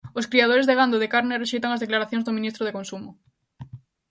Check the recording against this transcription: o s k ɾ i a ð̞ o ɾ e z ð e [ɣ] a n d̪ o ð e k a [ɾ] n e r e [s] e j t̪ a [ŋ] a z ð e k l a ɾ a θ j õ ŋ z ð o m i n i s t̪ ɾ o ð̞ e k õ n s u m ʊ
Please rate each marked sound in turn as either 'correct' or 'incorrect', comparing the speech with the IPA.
correct, correct, incorrect, correct

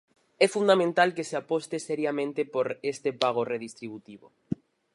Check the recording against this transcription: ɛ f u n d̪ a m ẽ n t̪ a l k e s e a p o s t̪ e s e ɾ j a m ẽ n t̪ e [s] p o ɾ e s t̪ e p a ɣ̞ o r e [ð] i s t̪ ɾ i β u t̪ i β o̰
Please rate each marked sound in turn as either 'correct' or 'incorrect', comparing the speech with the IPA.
incorrect, correct

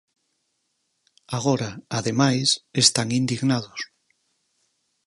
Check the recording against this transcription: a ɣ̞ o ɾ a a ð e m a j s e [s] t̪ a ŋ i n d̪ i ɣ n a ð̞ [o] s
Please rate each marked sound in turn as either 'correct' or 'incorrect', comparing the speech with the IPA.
correct, correct

